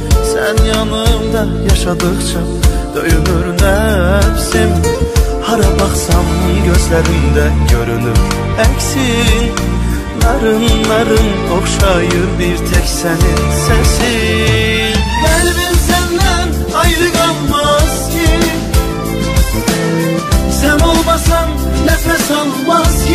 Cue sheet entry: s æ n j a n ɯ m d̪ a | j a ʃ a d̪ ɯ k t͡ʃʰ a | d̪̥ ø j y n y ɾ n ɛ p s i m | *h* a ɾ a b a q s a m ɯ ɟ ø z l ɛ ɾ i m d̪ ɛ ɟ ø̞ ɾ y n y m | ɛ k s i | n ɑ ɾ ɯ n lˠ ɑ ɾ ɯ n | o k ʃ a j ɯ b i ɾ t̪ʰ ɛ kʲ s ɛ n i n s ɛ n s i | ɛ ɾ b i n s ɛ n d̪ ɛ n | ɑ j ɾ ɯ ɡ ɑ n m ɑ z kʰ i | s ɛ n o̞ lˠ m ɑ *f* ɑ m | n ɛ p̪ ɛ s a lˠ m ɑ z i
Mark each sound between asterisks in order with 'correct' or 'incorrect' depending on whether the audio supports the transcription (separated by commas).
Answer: correct, incorrect